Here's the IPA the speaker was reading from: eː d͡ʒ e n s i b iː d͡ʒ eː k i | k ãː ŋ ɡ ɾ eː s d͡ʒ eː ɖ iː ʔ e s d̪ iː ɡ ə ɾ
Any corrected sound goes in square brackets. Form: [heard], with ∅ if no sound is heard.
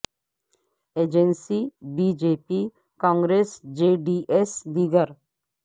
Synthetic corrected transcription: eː d͡ʒ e n s i b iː d͡ʒ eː [p] i | k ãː ŋ ɡ ɾ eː s d͡ʒ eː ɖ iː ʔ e s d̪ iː ɡ ə ɾ